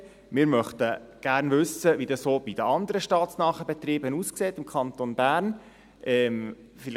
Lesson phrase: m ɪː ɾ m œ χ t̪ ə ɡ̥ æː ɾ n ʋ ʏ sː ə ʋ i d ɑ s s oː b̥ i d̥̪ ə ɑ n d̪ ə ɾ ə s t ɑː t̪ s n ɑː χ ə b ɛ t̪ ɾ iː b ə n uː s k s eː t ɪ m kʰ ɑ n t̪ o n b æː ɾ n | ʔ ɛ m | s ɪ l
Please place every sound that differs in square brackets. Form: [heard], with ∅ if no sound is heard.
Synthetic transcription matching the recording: m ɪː ɾ m œ χ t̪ ə ɡ̥ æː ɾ n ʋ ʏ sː ə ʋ i d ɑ s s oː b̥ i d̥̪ ə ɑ n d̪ ə ɾ ə [ʃ] t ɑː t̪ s n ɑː χ ə b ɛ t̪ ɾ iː b ə n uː s k s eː t ɪ m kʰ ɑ n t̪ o n b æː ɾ n | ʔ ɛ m | [f] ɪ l